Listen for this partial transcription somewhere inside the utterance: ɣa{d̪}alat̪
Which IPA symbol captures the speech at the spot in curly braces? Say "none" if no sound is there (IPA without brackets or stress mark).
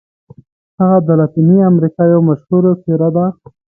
d̪